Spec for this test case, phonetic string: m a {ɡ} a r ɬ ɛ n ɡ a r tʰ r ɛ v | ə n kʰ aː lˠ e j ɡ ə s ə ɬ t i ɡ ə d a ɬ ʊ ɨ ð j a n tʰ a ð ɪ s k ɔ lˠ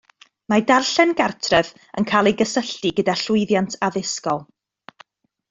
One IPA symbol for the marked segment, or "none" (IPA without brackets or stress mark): d